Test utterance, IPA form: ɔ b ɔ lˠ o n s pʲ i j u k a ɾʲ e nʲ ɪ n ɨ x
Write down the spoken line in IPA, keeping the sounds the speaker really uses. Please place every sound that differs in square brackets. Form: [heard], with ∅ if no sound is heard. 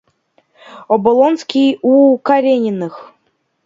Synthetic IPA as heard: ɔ b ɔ lˠ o n s [kʲ] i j u k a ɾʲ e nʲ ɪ n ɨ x